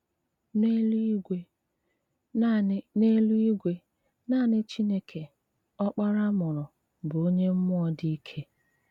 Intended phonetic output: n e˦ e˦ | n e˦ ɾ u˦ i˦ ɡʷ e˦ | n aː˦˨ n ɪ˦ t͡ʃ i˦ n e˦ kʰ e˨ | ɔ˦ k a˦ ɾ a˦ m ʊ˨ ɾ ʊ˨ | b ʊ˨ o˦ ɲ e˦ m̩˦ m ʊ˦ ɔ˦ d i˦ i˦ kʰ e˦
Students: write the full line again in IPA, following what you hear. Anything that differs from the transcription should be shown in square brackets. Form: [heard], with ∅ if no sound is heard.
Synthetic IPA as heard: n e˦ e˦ | n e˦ [l] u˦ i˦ ɡʷ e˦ | n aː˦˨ n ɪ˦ t͡ʃ i˦ n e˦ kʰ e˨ | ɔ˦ [k͡p] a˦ ɾ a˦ m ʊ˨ ɾ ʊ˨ | b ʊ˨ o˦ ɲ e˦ m̩˦ m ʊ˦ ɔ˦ d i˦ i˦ kʰ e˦